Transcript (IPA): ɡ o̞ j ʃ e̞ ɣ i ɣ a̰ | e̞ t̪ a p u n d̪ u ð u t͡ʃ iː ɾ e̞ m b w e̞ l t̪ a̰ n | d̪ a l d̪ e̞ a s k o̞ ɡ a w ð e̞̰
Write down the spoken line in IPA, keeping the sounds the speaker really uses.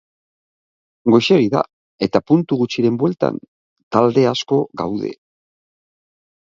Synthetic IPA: ɡ o̞ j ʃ e̞ ɣ i ð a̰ | e̞ t̪ a p u n t̪ u ɣ u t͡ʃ i ɾ e̞ m b w e̞ l t̪ a̰ n | t̪ a l d̪ e̞ a s k o̞ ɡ a w ð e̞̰